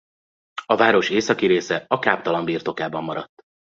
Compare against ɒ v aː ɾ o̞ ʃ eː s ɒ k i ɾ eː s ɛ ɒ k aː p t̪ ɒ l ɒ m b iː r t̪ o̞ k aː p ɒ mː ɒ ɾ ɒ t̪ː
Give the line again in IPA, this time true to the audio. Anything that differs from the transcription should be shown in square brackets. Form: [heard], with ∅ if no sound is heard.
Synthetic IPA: ɒ v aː ɾ o̞ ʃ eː s ɒ k i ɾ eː s ɛ ɒ k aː p t̪ ɒ l ɒ m b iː r t̪ o̞ k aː [b] ɒ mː ɒ ɾ ɒ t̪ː

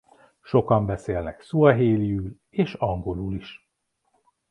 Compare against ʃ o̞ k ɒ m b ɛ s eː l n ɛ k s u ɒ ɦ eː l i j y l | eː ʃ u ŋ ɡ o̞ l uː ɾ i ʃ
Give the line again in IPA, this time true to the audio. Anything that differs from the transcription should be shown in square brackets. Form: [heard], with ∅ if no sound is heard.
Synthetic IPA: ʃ o̞ k ɒ m b ɛ s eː l n ɛ k s u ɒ ɦ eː l i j y l | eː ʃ [ɒ] ŋ ɡ o̞ l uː [l] i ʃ

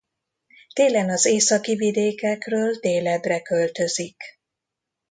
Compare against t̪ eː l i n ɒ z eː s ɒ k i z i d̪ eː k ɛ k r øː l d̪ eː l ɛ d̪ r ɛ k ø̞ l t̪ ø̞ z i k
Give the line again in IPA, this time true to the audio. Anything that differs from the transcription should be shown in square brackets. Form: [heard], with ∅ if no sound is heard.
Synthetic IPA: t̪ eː l [ɛ] n ɒ z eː s ɒ k i [v] i d̪ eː k ɛ k r øː l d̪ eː l ɛ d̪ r ɛ k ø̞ l t̪ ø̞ z i k

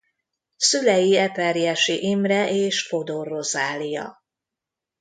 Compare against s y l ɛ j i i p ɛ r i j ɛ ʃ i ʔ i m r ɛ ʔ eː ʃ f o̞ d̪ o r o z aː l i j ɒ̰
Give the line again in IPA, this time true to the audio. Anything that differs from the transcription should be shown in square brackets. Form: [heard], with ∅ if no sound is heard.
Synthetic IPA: s y l ɛ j i [ɛ] p ɛ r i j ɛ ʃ i ʔ i m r ɛ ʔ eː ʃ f o̞ d̪ o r o z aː l i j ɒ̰

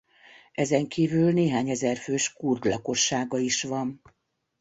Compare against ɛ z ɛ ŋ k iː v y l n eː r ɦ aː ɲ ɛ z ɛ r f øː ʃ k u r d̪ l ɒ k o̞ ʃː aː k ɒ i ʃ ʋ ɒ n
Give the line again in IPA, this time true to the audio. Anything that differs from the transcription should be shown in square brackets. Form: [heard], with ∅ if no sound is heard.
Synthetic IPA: ɛ z ɛ ŋ k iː v y l n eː [∅] ɦ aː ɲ ɛ z ɛ r f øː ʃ k u r d̪ l ɒ k o̞ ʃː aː [ɡ] ɒ i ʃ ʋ ɒ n

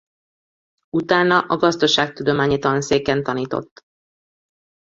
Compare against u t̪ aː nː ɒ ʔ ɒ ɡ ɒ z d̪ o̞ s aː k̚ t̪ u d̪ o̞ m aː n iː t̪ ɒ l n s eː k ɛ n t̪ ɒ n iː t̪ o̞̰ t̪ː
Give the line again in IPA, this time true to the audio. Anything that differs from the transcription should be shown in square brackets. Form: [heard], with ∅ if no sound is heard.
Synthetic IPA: u t̪ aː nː ɒ ʔ ɒ ɡ ɒ z d̪ o̞ [ʃ] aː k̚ t̪ u d̪ o̞ m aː [ɲ] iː t̪ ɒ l n s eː k ɛ n t̪ ɒ n iː t̪ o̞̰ t̪ː

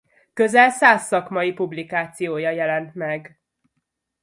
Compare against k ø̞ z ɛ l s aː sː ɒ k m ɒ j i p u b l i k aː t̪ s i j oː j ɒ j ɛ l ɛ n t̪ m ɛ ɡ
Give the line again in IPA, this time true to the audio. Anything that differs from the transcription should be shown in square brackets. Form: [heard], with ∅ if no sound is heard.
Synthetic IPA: k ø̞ z ɛ l s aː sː ɒ k m ɒ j i p u b l i k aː t̪ s i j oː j ɒ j ɛ l ɛ n t̪ m ɛ ɡ

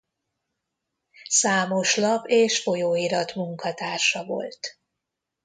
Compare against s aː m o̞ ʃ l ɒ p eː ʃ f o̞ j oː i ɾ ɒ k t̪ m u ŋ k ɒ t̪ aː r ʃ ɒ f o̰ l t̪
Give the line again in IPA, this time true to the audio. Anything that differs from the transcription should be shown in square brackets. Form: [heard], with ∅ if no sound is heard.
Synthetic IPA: s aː m o̞ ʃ l ɒ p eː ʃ f o̞ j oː i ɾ ɒ [∅] t̪ m u ŋ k ɒ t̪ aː r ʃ ɒ [v] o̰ l t̪

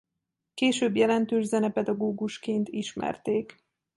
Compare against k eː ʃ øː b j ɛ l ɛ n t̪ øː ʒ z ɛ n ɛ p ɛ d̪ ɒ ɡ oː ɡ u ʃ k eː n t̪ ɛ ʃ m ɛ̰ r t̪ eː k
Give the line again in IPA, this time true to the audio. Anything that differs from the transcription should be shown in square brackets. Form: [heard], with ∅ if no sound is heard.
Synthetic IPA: k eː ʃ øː b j ɛ l ɛ n t̪ øː ʒ z ɛ n ɛ p ɛ d̪ ɒ ɡ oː ɡ u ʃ k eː n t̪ [i] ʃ m ɛ̰ r t̪ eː k

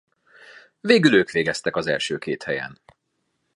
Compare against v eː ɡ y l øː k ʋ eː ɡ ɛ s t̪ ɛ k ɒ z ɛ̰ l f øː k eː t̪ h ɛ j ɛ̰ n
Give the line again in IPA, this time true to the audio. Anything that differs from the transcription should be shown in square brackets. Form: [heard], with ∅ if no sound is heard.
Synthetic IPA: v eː ɡ y l øː k ʋ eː ɡ ɛ s t̪ ɛ k ɒ z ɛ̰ l [ʃ] øː k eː t̪ h ɛ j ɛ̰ n

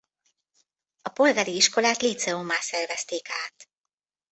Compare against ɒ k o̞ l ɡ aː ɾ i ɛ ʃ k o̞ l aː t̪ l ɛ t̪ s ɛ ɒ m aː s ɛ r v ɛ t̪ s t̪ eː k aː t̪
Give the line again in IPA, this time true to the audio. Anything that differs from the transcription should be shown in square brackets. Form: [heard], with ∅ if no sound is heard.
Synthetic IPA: ɒ [p] o̞ l ɡ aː ɾ i [i] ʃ k o̞ l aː t̪ l [i] t̪ s ɛ [o] m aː s ɛ r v ɛ [∅] s t̪ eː k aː t̪

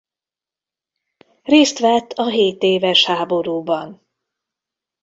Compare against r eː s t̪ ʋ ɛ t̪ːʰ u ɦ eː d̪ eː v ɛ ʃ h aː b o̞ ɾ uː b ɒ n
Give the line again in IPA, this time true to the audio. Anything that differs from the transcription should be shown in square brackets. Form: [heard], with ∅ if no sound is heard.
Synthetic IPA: r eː s t̪ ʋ ɛ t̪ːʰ [ɒ] ɦ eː [t̪] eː v ɛ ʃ h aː b o̞ ɾ uː b ɒ n

